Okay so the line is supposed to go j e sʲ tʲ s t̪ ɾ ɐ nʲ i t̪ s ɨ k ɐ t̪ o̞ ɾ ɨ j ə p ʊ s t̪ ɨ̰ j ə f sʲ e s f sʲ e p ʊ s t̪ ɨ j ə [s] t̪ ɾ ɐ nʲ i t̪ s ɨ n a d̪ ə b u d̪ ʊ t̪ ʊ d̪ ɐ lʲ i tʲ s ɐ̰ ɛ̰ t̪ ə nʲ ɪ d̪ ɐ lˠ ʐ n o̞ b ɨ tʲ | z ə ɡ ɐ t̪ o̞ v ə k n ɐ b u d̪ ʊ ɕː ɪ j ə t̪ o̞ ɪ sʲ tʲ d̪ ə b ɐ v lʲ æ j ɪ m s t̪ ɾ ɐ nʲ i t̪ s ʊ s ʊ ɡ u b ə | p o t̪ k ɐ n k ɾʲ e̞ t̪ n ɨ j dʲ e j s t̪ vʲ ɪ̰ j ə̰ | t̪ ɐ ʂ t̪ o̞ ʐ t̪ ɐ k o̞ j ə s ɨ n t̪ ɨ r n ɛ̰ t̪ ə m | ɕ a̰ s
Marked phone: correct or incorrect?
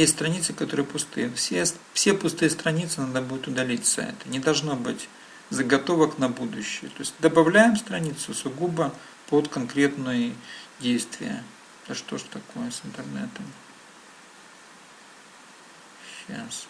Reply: correct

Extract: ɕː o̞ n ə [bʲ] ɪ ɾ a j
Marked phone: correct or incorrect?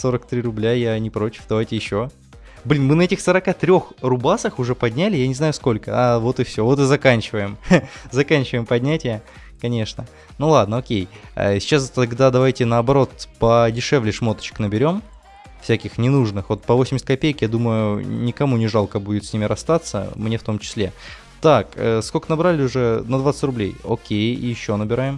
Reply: correct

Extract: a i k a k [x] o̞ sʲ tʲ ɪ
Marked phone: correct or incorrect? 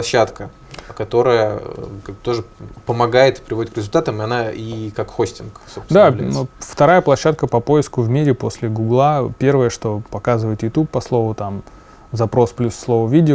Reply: correct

